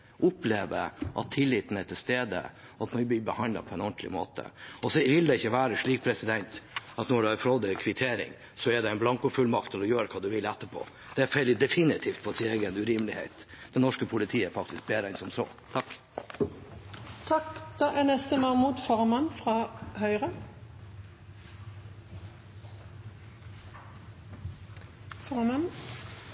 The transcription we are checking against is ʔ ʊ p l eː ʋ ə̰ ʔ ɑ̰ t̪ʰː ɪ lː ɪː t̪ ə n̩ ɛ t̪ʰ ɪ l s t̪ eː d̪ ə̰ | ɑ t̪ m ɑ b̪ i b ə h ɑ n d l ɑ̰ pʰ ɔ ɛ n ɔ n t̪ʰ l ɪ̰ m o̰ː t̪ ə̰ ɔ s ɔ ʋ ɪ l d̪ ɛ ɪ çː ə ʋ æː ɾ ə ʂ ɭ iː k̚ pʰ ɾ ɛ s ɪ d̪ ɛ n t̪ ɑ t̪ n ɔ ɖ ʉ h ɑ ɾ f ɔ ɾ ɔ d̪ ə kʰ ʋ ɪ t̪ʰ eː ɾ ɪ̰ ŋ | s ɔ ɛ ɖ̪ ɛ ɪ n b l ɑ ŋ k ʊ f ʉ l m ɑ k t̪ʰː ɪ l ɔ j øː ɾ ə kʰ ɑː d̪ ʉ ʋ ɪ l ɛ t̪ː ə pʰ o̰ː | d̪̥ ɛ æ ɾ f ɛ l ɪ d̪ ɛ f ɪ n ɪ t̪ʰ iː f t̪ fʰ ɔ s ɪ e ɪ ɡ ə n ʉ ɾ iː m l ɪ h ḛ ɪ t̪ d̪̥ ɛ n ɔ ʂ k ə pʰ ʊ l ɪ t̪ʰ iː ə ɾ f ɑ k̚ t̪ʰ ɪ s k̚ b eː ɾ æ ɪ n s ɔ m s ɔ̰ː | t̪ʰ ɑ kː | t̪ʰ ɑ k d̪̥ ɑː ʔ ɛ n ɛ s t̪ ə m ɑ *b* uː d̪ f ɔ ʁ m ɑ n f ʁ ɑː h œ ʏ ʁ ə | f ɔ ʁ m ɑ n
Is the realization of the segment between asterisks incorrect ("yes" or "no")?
yes